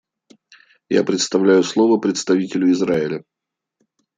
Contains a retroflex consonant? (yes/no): no